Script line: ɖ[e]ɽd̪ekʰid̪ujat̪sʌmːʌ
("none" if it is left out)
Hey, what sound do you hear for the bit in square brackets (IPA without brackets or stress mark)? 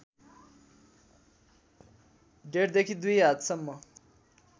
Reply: e